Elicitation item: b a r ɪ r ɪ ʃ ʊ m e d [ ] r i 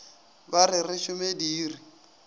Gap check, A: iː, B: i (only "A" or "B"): A